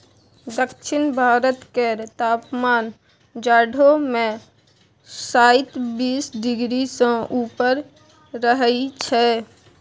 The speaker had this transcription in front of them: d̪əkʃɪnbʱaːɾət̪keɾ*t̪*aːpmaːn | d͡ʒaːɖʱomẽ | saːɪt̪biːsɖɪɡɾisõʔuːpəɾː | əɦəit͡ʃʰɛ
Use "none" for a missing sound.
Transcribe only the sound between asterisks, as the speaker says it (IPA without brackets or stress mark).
t̪